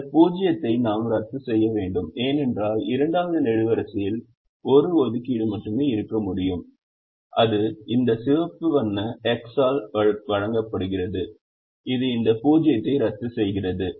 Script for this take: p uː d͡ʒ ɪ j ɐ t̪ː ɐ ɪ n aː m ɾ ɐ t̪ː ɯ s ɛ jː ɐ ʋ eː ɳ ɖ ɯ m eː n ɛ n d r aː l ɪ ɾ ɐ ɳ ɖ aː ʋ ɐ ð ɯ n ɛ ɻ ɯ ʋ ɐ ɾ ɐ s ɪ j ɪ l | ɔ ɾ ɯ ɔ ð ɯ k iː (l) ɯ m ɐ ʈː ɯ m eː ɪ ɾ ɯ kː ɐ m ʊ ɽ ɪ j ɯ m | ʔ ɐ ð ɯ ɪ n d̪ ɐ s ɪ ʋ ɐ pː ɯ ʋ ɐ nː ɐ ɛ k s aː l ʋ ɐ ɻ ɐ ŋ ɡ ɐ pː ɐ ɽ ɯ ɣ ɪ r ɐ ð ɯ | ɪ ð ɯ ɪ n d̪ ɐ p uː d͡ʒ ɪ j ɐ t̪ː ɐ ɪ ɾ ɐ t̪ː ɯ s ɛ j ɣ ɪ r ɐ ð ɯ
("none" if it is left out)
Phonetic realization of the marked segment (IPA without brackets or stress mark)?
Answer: ɽ